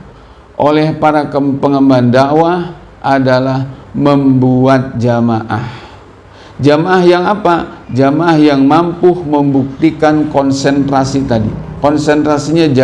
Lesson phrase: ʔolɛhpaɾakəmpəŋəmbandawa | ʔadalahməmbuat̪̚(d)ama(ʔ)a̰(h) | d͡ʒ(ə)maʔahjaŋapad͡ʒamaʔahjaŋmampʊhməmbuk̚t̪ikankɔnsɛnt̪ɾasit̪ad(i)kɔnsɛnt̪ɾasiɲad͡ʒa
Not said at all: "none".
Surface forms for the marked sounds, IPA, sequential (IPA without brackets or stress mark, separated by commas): d͡ʒ, ʔ, h, a, i